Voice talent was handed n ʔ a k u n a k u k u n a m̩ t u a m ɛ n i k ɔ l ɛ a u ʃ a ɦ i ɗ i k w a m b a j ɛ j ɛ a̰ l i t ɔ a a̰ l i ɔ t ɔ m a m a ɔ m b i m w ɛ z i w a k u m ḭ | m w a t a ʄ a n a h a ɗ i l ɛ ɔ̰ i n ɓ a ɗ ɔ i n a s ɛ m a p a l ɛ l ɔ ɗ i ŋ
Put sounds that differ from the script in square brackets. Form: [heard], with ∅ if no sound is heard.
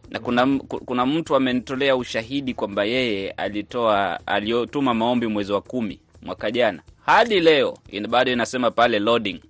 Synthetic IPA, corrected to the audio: n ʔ a k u n a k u k u n a m̩ t u a m ɛ n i [t] ɔ l ɛ a u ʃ a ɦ i ɗ i k w a m b a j ɛ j ɛ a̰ l i t ɔ a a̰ l i ɔ t [u] m a m a ɔ m b i m w ɛ z i w a k u m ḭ | m w a [k] a ʄ a n a h a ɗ i l ɛ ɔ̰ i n ɓ a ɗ ɔ i n a s ɛ m a p a l ɛ l ɔ ɗ i ŋ